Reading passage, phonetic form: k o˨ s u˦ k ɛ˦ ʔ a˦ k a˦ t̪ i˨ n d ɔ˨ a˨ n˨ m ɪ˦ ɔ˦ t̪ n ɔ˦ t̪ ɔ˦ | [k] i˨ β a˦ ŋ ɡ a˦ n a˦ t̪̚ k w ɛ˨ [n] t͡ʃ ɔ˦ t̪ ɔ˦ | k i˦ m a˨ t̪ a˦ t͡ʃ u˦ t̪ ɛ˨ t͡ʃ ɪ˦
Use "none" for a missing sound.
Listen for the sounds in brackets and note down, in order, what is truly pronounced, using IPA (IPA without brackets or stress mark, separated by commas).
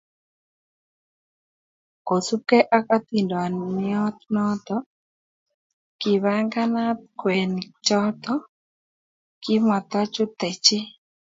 k, n